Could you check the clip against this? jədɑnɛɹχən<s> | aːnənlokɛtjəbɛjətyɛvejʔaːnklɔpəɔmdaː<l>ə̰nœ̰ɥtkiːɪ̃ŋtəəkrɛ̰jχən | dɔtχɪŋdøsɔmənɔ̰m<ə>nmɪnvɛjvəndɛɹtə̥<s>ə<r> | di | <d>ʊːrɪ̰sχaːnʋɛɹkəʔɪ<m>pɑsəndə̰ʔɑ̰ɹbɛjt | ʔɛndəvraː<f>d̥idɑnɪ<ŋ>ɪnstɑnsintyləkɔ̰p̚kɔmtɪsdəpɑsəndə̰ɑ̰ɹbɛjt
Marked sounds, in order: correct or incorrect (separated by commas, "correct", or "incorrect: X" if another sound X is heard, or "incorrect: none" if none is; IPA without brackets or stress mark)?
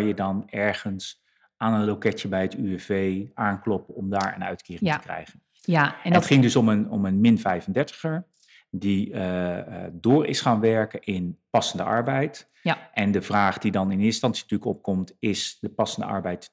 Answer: correct, incorrect: ɹ, correct, incorrect: χ, incorrect: ɹ, correct, incorrect: n, incorrect: χ, incorrect: n